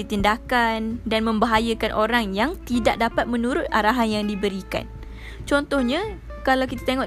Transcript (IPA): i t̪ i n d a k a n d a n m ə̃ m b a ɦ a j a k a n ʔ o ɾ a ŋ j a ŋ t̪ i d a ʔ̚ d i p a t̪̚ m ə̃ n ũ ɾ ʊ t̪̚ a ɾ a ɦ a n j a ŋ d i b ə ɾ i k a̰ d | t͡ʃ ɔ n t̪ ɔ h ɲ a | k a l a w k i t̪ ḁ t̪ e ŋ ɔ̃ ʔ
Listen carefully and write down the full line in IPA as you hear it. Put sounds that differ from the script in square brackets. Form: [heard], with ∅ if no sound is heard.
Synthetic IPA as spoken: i t̪ i n d a k a n d a n m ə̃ m b a ɦ a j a k a n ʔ o ɾ a ŋ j a ŋ t̪ i d a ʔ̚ d [a] p a t̪̚ m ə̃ n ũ ɾ ʊ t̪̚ a ɾ a ɦ a n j a ŋ d i b ə ɾ i k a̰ [n] | t͡ʃ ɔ n t̪ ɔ h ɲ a | k a l a w k i t̪ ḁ t̪ e ŋ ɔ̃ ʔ